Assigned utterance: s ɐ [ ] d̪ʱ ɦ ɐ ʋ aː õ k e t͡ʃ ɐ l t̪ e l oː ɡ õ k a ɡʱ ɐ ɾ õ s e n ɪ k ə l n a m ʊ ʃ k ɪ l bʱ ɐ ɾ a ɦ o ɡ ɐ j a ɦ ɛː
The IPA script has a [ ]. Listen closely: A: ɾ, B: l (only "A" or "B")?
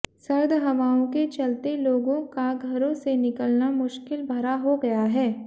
A